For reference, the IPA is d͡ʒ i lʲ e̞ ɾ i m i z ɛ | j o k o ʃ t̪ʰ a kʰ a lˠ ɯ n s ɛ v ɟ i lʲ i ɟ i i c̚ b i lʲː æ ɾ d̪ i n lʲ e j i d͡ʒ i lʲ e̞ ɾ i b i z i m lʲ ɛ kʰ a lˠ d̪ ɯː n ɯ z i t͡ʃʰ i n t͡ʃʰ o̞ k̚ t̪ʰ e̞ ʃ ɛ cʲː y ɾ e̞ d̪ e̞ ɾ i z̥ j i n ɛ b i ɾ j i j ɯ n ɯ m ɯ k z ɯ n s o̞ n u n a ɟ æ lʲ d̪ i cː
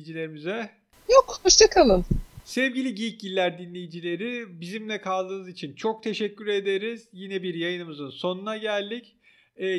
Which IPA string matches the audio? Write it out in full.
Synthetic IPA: d͡ʒ i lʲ e̞ ɾ i m i z ɛ | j o k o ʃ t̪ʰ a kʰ a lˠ ɯ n s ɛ v ɟ i lʲ i ɟ i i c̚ ɟ i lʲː æ ɾ d̪ i n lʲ e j i d͡ʒ i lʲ e̞ ɾ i b i z i m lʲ ɛ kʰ a lˠ d̪ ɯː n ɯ z i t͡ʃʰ i n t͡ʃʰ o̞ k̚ t̪ʰ e̞ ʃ ɛ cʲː y ɾ e̞ d̪ e̞ ɾ i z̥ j i n ɛ b i ɾ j a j ɯ n ɯ m ɯ z ɯ n s o̞ n u n a ɟ æ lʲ d̪ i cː